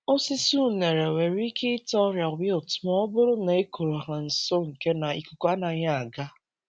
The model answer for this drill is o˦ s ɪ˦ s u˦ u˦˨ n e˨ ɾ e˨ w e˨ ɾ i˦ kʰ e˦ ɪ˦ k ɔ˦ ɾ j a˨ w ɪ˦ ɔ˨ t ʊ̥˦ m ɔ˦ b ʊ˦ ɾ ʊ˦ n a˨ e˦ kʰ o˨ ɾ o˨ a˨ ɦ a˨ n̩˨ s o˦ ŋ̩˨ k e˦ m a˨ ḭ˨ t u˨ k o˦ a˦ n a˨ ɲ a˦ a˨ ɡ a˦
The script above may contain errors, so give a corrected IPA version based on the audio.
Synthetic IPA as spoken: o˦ s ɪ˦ s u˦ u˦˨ n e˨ ɾ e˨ w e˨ ɾ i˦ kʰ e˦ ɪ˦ t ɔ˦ ɾ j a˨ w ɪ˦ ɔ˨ t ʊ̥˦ m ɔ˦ b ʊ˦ ɾ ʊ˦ n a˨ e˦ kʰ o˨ ɾ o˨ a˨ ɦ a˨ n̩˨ s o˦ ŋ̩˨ k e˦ n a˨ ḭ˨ k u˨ k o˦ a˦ n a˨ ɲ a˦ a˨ ɡ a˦